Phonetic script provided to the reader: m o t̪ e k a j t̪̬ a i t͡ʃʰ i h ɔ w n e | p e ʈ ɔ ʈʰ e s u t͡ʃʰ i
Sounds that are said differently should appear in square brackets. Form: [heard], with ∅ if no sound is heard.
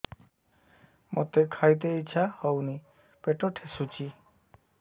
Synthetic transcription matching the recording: m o t̪ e [kʰ] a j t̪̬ [e] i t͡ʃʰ [a] h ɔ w n [i] | p e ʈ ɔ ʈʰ e s u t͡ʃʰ i